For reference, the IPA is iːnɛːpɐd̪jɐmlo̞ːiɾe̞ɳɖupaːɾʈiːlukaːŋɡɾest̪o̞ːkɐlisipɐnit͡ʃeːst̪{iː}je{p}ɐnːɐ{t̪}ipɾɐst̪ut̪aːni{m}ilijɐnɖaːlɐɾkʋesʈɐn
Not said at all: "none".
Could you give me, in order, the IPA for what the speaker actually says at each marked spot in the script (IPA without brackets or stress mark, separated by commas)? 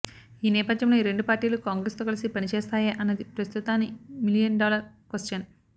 aː, ʔ, d̪, m